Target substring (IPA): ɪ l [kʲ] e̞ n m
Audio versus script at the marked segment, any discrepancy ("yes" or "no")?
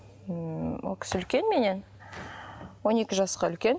no